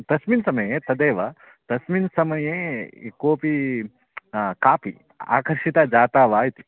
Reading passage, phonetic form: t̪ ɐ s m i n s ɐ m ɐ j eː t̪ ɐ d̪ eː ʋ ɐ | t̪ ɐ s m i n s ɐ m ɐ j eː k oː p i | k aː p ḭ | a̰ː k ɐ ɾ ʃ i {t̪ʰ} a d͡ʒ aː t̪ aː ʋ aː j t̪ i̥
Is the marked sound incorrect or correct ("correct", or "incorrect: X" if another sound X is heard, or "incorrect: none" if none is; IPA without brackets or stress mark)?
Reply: incorrect: t̪